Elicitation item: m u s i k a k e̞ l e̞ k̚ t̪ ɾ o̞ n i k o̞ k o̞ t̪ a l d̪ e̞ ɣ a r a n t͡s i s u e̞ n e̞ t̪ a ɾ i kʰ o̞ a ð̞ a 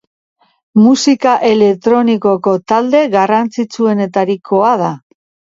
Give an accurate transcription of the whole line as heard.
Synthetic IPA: m u s i k a ʔ e̞ l e̞ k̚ t̪ ɾ o̞ n i k o̞ k o̞ t̪ a l d̪ e̞ ɣ a r a n t͡s i t͡s u e̞ n e̞ t̪ a ɾ i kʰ o̞ a ð̞ a